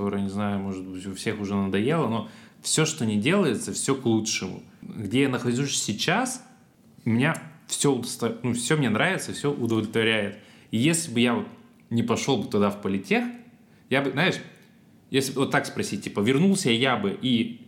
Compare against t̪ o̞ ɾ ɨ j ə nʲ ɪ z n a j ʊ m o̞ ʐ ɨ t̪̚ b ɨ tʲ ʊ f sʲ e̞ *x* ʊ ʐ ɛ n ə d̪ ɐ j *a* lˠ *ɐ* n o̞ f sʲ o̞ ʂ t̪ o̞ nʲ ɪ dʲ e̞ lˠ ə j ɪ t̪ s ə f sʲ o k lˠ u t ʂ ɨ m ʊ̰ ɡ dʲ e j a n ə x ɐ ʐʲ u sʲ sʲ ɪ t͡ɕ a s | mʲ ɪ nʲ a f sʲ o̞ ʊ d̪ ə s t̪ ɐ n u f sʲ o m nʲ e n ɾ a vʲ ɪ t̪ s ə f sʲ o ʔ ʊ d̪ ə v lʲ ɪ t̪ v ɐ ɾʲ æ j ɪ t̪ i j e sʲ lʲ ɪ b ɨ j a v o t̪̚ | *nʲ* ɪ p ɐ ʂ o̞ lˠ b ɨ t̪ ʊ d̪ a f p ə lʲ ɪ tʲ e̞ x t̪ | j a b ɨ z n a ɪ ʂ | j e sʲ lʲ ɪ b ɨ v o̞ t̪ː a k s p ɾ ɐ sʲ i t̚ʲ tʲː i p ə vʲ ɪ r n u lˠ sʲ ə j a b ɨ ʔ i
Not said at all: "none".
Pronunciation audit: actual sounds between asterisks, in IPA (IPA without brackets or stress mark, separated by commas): x, e, ə, nʲ